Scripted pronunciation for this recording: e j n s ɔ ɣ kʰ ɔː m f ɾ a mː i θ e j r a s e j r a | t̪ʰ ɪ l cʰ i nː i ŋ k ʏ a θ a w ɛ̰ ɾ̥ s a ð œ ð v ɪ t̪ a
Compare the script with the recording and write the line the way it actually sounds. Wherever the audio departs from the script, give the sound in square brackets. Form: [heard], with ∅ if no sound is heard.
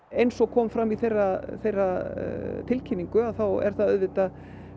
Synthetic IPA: e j n s ɔ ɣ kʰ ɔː m f ɾ a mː i θ e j r a [θ] e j r a | t̪ʰ ɪ l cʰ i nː i ŋ k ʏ a θ a w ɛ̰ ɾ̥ [θ] a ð œ ð v ɪ t̪ a

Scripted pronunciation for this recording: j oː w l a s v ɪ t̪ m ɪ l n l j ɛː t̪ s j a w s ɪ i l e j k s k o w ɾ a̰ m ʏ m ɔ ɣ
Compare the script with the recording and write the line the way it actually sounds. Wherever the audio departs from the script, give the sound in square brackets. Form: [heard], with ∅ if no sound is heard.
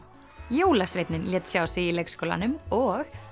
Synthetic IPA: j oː w l a s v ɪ t̪ [n] ɪ [∅] n l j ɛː t̪ s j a w s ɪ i l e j k s k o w [l] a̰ [n] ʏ m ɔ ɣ

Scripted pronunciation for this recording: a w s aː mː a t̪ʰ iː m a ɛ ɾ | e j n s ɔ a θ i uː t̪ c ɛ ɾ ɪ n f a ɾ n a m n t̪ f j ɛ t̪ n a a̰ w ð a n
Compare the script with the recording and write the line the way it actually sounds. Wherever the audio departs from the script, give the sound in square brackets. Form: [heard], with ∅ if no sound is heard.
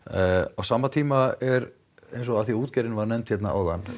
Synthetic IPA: a w s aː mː a t̪ʰ iː m a ɛ ɾ | e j n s ɔ a θ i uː t̪ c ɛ ɾ ɪ n [v] a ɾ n [ɛ] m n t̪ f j ɛ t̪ n a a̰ w ð a n

